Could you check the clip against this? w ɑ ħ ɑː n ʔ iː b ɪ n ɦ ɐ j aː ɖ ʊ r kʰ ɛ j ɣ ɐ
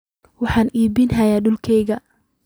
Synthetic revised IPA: w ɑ ħ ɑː n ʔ iː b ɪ n ɦ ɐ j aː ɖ ʊ l kʰ ɛ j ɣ ɐ